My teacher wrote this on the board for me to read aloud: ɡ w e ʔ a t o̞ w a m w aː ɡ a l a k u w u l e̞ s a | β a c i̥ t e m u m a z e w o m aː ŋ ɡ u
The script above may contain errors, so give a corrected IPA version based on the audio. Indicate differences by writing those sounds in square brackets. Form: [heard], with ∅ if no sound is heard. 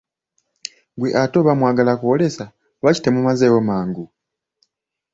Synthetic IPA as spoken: ɡ w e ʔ a t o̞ [β] a m w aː ɡ a l a k u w [o] l e̞ s a | β a c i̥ t e m u m a z e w o m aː ŋ ɡ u